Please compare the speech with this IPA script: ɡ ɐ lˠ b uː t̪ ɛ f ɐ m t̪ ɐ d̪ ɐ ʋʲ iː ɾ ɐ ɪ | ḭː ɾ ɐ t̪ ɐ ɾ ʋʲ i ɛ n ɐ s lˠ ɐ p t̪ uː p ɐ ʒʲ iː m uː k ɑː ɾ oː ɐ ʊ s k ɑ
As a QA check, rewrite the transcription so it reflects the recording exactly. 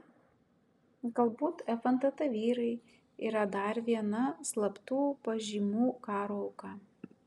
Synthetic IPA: ɡ ɐ lˠ b uː t̪ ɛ f ɐ n t̪ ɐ t̪ ɐ ʋʲ iː ɾ ɐ ɪ | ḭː ɾ ɐ d̪ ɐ ɾ ʋʲ i ɛ n ɐ s lˠ ɐ p t̪ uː p ɐ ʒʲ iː m uː k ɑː ɾ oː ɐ ʊ k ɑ